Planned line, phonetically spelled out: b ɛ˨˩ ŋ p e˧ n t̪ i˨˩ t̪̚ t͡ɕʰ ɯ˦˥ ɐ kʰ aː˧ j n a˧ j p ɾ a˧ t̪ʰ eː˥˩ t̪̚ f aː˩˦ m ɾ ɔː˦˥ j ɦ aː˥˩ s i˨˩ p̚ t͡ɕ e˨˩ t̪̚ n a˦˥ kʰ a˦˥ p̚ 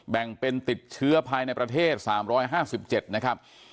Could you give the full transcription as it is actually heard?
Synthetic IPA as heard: b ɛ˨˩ ŋ p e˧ n t̪ i˨˩ t̪̚ t͡ɕʰ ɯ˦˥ ɐ pʰ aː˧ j n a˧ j p ɾ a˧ t̪ʰ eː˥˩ t̪̚ s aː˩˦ m ɾ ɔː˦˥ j ɦ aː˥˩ s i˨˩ p̚ t͡ɕ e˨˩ t̪̚ n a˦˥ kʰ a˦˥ p̚